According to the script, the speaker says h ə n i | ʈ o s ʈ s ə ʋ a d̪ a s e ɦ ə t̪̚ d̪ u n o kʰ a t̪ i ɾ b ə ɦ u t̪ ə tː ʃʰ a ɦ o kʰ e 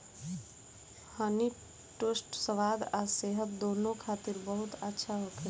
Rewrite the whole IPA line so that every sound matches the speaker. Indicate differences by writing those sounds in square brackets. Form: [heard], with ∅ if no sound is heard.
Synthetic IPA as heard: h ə n i | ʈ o s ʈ s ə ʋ a d̪ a s e ɦ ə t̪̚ d̪ [o] n o kʰ a t̪ i ɾ b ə ɦ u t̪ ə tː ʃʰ a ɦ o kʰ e